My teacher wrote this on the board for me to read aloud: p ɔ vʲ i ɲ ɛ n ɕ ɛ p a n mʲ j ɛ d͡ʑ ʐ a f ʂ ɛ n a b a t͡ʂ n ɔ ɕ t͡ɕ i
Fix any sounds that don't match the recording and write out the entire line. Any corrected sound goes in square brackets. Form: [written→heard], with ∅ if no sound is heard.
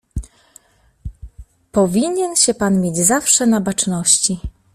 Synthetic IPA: p ɔ vʲ i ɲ ɛ n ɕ ɛ p a n mʲ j [ɛ→e] d͡ʑ [ʐ→z] a f ʂ ɛ n a b a t͡ʂ n ɔ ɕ t͡ɕ i